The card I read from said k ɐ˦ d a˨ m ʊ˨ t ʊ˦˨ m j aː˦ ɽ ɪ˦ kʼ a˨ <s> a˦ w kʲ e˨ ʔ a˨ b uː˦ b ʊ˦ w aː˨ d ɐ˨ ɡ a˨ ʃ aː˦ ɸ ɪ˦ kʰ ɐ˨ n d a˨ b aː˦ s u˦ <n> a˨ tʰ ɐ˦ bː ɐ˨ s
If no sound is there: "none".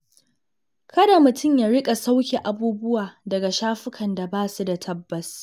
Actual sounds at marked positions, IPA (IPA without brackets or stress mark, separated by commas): s, d